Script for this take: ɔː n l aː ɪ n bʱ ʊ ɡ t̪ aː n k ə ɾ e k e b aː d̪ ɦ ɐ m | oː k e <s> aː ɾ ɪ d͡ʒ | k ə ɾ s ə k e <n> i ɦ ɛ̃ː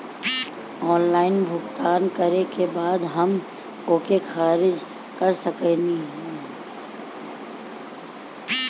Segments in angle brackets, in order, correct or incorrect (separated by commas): incorrect, correct